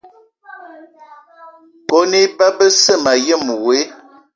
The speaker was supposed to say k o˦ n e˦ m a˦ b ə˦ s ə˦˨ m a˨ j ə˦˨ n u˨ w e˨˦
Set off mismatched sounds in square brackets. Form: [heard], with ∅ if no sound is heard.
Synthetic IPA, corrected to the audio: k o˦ n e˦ [b] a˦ b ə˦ s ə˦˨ m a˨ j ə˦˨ [m] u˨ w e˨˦